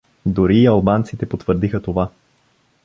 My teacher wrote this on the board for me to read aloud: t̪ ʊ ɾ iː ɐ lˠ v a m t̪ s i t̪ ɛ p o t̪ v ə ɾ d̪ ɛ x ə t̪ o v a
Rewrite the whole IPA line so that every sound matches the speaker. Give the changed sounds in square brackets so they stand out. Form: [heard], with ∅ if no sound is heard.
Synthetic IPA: [d̪] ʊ ɾ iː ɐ lˠ [b] a [n] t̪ s i t̪ ɛ p o t̪ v ə ɾ d̪ [i] x ə t̪ o v a